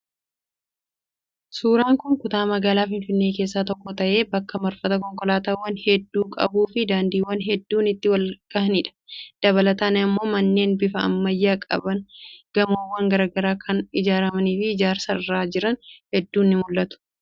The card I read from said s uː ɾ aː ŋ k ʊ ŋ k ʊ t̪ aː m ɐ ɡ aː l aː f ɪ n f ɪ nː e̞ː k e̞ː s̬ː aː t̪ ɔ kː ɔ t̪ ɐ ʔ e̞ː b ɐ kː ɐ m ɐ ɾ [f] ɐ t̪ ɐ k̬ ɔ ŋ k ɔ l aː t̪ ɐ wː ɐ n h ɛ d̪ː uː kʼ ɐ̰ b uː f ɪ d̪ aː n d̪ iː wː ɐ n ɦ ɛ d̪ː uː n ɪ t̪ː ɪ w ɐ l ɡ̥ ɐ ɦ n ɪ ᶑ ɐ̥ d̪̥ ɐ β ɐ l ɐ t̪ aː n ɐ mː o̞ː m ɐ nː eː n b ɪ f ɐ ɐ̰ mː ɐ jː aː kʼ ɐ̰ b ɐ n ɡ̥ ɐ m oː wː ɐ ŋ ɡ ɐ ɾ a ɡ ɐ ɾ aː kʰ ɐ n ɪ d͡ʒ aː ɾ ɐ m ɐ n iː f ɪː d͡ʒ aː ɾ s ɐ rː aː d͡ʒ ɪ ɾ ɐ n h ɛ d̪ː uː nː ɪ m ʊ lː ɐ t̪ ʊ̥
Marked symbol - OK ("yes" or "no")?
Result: yes